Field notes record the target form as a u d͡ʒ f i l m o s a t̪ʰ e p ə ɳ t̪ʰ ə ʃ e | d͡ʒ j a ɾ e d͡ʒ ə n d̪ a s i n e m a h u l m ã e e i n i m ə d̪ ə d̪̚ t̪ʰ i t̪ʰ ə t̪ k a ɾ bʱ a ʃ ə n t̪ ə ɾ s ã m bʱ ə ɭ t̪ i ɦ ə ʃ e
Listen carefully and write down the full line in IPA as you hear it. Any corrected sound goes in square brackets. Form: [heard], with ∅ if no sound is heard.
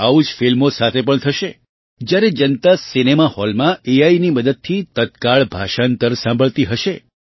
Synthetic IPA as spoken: a u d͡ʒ f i l m o s a t̪ʰ e p ə ɳ t̪ʰ ə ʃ e | d͡ʒ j a ɾ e d͡ʒ ə n [t̪] a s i n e m a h [ɔ] l m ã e [a] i n i m ə d̪ ə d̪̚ t̪ʰ i [t̪] ə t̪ k a [ɭ] bʱ a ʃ [a] n t̪ ə ɾ s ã m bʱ ə ɭ t̪ i ɦ ə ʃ e